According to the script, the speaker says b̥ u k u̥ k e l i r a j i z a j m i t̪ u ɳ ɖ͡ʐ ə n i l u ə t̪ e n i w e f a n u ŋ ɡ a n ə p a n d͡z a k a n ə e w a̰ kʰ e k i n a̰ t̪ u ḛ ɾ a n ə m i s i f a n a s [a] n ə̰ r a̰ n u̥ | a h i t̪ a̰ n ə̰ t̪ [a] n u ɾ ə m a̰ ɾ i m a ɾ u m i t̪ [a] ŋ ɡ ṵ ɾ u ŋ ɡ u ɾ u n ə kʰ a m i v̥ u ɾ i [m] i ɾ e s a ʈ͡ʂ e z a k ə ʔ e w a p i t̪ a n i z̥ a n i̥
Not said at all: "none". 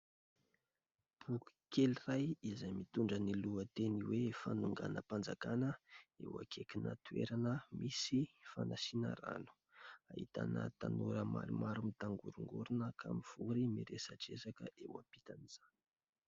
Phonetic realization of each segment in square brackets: i, a, a, m

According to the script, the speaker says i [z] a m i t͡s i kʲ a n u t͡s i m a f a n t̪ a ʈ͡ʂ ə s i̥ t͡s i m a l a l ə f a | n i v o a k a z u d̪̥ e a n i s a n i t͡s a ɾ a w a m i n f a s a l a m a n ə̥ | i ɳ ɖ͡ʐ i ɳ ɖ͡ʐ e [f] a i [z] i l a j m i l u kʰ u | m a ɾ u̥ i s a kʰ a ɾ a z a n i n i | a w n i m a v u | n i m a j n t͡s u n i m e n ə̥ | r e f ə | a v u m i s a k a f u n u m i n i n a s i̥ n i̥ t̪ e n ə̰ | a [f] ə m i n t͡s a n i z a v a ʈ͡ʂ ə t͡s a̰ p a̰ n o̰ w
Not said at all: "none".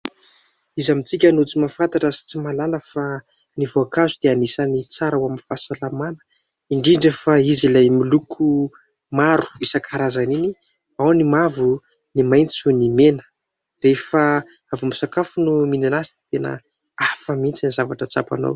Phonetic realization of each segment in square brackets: z, f, z, f

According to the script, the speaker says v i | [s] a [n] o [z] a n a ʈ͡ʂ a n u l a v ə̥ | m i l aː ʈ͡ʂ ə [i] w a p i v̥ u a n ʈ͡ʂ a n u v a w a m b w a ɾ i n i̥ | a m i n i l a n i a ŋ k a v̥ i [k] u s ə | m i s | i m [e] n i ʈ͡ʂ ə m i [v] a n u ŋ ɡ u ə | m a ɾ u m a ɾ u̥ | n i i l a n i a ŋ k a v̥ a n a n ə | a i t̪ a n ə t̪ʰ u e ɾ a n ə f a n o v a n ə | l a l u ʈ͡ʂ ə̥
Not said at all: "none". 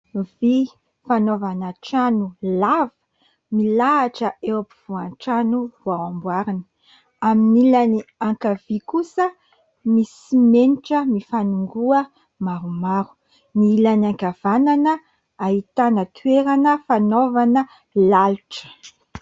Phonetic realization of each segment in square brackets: f, n, v, e, k, e, f

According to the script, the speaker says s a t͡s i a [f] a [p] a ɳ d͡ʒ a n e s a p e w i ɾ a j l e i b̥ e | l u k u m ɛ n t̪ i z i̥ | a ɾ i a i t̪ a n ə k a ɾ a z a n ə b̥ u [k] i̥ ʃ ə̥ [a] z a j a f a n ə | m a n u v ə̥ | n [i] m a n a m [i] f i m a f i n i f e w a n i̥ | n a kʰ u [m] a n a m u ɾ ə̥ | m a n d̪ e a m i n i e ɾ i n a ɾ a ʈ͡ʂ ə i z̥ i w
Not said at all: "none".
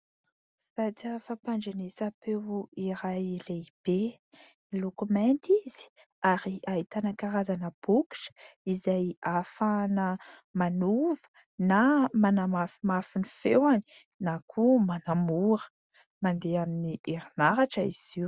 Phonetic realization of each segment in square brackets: f, p, k, i, a, a, m

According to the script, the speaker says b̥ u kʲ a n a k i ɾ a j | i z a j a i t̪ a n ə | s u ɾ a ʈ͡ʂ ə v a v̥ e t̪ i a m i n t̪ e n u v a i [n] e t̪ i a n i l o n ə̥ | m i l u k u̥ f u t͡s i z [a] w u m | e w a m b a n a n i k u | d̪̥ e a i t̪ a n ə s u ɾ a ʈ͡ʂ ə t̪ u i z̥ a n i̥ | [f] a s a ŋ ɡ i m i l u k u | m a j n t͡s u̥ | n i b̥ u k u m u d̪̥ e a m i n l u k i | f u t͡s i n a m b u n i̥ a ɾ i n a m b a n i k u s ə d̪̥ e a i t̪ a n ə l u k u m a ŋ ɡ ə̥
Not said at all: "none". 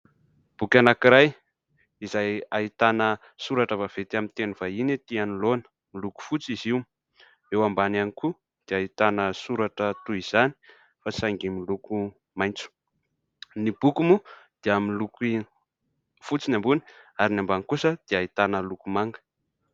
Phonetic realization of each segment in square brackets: n, i, f

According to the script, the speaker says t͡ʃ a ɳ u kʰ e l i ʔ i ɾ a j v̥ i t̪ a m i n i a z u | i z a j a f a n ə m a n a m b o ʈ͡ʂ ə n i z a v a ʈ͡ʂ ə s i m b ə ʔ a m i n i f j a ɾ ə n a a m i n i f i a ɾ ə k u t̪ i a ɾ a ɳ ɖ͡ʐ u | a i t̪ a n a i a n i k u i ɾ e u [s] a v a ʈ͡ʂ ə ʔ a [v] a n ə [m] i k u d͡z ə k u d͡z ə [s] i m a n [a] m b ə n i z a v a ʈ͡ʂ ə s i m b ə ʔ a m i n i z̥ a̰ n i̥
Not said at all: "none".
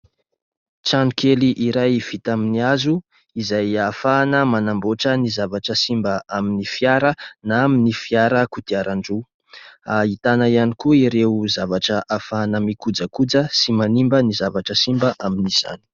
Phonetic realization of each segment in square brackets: z, f, m, s, i

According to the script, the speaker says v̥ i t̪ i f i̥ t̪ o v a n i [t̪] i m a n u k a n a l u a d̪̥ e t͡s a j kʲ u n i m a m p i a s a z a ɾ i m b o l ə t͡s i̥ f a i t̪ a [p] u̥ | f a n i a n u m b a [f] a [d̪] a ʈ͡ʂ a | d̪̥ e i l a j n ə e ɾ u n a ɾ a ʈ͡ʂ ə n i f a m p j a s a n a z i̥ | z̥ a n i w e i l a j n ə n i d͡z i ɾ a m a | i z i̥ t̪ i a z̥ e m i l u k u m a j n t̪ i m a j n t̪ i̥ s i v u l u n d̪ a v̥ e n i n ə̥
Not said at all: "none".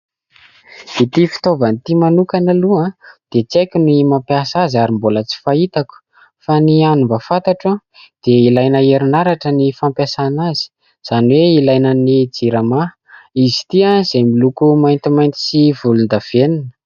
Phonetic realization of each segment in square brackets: t̪, k, f, t̪

